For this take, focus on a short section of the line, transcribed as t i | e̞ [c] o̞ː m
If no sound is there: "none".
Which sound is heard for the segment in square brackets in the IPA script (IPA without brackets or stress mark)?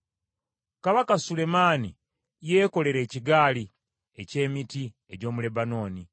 ɟ